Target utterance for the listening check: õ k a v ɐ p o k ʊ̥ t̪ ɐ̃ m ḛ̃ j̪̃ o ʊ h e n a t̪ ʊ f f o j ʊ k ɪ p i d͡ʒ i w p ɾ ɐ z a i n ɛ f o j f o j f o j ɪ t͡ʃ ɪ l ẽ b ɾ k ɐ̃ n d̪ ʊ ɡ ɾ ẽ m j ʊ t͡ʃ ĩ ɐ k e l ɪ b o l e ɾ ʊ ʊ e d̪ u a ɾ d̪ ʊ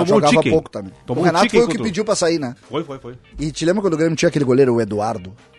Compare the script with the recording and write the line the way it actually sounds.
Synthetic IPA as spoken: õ ɡ a v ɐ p o k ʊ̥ t̪ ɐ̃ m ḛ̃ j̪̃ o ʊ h e n a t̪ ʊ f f o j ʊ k ɪ p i d͡ʒ i w p ɾ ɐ s a i n ɛ f o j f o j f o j ɪ t͡ʃ ɪ l ẽ b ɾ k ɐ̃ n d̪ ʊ ɡ ɾ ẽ m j ʊ t͡ʃ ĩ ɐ k e l ɪ ɡ o l e ɾ ʊ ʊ e d̪ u a ɾ d̪ ʊ